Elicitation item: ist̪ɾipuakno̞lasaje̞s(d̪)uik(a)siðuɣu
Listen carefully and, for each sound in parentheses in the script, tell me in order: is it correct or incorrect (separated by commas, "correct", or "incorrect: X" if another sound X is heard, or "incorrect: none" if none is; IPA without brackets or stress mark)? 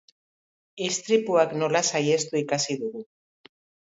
incorrect: t̪, correct